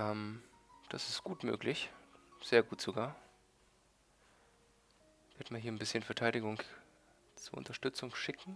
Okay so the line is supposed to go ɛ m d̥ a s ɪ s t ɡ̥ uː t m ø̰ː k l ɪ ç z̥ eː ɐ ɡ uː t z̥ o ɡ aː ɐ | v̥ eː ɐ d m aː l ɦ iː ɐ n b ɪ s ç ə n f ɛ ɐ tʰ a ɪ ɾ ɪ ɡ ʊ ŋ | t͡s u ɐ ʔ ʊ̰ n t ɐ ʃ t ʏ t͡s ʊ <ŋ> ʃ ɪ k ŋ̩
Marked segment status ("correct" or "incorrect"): correct